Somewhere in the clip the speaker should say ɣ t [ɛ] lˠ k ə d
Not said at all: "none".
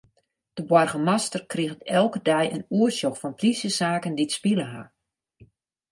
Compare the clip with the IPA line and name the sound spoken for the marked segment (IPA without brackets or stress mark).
ɛ